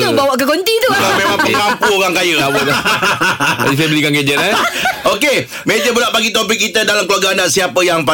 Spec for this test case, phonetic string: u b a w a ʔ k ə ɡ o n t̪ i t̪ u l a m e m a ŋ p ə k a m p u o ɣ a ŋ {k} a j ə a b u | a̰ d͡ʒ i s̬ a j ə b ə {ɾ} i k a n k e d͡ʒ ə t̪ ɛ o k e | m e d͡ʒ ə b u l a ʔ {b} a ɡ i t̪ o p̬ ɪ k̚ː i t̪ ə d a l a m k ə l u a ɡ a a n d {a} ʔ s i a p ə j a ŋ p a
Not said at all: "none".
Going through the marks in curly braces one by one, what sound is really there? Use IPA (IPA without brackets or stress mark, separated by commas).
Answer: k, l, p, a